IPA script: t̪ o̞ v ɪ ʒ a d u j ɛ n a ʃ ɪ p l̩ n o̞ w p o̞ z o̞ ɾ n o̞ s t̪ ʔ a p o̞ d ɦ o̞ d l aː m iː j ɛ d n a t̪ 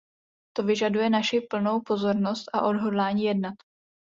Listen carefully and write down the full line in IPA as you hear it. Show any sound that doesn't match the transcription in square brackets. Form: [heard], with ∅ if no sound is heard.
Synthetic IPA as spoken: t̪ o̞ v ɪ ʒ a d u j ɛ n a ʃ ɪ p l̩ n o̞ w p o̞ z o̞ ɾ n o̞ s t̪ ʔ a [ʔ] o̞ d ɦ o̞ d l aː [ɲ] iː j ɛ d n a t̪